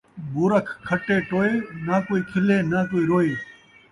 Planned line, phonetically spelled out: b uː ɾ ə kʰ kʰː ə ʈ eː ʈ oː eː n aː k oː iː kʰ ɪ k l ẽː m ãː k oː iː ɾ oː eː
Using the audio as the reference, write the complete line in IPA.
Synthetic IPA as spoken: b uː ɾ ə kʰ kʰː ə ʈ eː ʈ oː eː n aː k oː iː kʰ ɪ l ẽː n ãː k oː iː ɾ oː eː

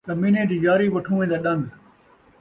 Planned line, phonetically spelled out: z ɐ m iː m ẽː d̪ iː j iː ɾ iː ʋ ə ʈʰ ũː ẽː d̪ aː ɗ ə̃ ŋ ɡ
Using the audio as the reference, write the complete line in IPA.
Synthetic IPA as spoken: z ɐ m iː n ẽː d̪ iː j aː ɾ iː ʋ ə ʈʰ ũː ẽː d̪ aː ɗ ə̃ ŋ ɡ

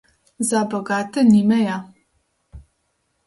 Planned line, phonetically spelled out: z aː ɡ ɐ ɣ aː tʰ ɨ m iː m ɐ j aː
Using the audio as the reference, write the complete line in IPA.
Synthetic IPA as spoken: z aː b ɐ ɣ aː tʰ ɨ n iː m ɐ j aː

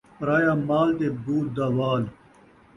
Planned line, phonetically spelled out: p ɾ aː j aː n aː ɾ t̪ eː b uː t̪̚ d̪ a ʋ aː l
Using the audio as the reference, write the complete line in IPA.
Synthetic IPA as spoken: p ɾ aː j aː m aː l t̪ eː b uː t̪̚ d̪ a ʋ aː l

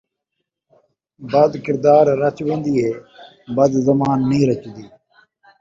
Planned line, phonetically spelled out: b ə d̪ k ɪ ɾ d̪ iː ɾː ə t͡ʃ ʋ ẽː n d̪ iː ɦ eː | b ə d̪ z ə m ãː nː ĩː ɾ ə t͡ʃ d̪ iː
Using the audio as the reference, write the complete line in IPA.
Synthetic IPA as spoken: b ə d̪ k ɪ ɾ d̪ aː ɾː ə t͡ʃ ʋ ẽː n d̪ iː ɦ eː | b ə d̪ z ə m aː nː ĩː ɾ ə t͡ʃ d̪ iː

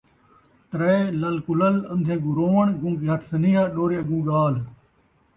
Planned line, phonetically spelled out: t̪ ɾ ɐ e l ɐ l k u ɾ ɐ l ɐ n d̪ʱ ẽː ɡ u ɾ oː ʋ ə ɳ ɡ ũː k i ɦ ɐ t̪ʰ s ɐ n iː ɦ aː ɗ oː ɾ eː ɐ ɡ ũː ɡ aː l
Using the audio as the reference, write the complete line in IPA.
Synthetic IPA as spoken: t̪ ɾ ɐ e l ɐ l k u l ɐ l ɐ n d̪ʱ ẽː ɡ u ɾ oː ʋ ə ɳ ɡ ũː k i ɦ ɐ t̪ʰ s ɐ n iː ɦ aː ɗ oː ɾ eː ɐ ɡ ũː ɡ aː l

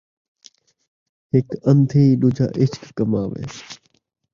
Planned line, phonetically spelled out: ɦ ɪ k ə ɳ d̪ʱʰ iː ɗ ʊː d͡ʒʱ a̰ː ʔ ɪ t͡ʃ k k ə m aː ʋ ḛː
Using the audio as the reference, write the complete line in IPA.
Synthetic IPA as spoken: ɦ ɪ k ə n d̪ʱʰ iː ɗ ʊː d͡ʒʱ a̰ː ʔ ɪ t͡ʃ k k ə m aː ʋ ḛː

